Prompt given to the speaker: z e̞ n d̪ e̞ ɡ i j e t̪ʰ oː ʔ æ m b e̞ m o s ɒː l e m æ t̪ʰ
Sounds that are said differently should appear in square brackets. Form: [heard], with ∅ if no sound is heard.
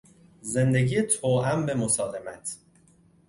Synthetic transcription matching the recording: z e̞ n d̪ e̞ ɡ i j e t̪ʰ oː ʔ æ m b e̞ m o s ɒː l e m æ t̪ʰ